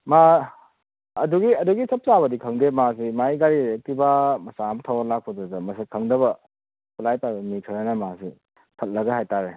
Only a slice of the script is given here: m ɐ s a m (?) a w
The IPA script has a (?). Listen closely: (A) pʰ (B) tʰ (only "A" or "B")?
B